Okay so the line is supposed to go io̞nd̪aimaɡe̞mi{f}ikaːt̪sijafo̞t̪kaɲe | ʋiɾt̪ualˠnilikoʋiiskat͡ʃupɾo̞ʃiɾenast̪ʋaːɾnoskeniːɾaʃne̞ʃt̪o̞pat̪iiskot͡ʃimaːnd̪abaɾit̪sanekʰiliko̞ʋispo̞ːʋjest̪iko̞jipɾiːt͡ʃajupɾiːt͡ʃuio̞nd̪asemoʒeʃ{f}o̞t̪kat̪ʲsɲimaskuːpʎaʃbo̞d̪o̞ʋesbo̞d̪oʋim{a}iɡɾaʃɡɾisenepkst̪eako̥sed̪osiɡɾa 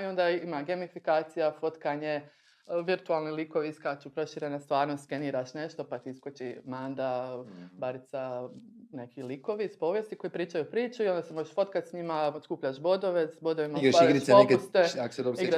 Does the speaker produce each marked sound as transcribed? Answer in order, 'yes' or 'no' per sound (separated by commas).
yes, yes, yes